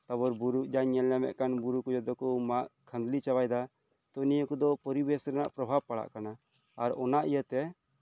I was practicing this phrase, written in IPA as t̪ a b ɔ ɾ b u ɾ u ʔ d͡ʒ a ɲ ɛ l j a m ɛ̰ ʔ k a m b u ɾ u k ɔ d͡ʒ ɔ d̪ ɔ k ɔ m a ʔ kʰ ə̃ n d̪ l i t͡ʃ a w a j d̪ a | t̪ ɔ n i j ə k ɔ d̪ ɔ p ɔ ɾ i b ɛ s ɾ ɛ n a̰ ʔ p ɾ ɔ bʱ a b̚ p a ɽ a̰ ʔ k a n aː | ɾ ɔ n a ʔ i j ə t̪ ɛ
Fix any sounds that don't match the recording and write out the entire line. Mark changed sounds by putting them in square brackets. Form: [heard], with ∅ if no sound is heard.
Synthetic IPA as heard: t̪ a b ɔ ɾ b u ɾ u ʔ d͡ʒ a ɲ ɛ l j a m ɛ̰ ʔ k a [n] b u ɾ u k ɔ d͡ʒ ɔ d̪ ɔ k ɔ m a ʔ kʰ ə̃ n d̪ l i t͡ʃ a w a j d̪ a | t̪ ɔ n i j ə k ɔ d̪ ɔ p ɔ ɾ i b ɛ s ɾ ɛ n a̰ ʔ p ɾ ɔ bʱ a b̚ p a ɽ a̰ ʔ k a n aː | ɾ ɔ n a ʔ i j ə t̪ ɛ